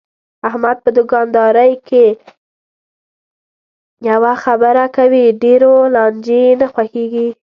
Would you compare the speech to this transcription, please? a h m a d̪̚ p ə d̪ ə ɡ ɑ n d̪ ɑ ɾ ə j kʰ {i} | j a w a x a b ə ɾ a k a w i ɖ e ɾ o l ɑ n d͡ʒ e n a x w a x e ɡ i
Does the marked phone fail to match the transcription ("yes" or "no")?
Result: yes